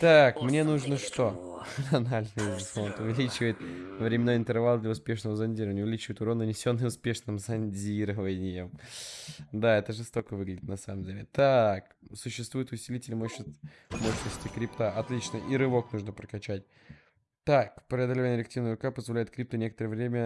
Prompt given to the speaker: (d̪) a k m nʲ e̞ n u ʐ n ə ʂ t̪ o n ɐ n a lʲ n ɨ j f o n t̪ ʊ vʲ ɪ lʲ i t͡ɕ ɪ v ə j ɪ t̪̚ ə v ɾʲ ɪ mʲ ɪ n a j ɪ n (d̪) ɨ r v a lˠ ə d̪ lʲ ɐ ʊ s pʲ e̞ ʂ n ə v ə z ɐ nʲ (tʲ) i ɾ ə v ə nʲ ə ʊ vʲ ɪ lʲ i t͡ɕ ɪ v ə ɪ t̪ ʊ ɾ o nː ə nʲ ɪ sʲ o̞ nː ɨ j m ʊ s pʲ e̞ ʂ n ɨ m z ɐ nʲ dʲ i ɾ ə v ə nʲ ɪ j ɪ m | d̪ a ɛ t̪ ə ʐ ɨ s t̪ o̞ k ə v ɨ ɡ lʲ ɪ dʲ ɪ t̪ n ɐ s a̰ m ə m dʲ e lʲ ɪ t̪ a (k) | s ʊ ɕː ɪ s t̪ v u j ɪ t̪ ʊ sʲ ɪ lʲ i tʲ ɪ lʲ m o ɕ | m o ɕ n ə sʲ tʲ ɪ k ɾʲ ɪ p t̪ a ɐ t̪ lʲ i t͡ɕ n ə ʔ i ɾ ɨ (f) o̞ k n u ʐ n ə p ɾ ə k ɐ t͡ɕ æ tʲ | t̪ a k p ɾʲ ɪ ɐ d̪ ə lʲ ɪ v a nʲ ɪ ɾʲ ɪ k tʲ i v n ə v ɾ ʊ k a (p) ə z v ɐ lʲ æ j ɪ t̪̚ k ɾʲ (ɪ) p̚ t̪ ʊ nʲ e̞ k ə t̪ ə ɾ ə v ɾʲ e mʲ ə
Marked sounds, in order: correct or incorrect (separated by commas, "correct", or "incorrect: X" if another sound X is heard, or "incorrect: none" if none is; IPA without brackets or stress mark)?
incorrect: t̪, incorrect: t̪, incorrect: dʲ, correct, incorrect: v, correct, incorrect: i